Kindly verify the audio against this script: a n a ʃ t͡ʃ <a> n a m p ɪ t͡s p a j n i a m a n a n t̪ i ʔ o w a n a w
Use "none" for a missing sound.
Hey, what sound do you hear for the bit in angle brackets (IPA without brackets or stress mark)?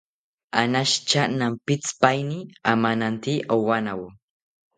a